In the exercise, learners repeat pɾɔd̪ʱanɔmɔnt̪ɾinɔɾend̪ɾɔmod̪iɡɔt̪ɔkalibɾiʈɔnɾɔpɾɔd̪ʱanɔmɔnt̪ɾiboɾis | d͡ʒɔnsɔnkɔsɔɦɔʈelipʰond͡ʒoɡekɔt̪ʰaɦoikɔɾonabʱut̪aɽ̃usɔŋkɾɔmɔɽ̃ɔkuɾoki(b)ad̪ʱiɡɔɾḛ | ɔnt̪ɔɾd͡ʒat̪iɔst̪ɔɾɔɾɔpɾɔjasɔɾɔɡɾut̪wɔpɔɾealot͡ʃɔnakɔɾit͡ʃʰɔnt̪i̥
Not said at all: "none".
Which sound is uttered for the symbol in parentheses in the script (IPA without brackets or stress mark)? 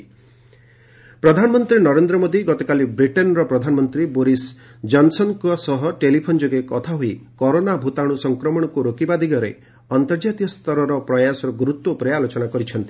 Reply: b